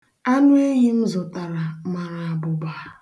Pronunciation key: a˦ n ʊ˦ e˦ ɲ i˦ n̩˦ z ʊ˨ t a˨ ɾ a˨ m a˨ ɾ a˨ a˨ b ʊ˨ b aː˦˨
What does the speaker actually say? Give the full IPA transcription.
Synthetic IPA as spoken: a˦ n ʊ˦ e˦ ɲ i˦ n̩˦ z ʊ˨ t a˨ ɾ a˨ m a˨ ɾ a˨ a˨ b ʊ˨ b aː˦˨